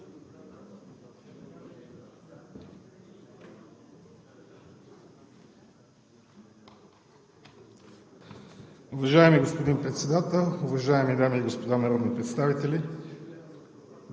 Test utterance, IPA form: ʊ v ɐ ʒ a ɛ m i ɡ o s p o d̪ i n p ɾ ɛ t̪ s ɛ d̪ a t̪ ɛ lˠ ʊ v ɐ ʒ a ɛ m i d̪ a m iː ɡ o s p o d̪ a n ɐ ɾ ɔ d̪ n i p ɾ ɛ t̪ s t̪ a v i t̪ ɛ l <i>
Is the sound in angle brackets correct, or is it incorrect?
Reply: correct